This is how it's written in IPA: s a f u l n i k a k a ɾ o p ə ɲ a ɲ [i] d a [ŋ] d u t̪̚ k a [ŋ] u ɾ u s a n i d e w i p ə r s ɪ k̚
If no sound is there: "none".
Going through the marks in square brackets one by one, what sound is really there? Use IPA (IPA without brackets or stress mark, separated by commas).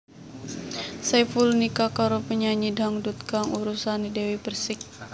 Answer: i, ŋ, ŋ